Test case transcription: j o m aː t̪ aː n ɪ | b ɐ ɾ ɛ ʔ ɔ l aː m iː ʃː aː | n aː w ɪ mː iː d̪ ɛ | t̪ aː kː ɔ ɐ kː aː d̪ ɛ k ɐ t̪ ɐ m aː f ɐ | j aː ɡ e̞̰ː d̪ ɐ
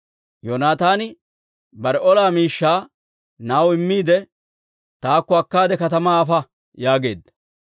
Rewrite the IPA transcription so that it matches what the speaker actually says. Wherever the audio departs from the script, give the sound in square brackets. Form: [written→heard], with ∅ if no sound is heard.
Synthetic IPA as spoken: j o [m→n] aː t̪ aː n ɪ | b ɐ ɾ ɛ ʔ ɔ l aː m iː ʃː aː | n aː w ɪ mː iː d̪ ɛ | t̪ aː kː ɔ ɐ kː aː d̪ ɛ k ɐ t̪ ɐ m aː f ɐ | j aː ɡ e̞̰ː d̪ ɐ